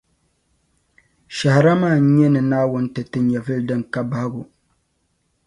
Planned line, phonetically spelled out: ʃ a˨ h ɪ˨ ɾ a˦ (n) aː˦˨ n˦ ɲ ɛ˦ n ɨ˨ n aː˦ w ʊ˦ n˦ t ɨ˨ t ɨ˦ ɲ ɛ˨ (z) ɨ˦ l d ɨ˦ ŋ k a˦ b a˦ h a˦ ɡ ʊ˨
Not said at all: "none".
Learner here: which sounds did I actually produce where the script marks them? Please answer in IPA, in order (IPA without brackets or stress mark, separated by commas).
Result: m, v